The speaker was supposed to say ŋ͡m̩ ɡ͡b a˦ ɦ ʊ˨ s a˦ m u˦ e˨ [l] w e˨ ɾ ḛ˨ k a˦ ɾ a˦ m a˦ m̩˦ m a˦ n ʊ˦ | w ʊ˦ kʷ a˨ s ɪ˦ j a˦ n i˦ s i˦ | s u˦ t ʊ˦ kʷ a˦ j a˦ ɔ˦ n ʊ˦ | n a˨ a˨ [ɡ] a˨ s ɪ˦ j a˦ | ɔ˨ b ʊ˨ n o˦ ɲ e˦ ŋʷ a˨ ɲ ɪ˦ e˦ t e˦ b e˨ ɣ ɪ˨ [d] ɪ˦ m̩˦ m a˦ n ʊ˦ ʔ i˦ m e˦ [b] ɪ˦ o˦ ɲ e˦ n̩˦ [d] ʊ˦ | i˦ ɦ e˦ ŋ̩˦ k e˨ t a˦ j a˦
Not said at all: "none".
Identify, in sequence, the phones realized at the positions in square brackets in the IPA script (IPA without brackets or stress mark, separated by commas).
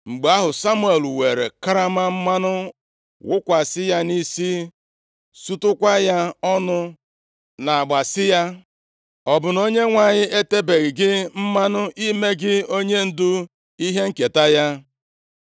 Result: l, ɡ͡b, ɡ, ɡ, d